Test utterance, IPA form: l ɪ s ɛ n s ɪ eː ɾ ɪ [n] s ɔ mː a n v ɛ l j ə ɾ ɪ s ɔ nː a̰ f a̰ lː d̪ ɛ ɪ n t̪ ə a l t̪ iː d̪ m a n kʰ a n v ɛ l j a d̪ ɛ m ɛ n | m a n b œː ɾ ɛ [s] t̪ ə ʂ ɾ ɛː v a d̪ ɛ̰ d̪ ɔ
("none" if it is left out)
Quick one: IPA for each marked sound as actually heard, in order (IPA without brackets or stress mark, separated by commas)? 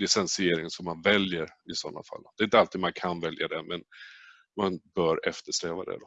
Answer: ŋ, f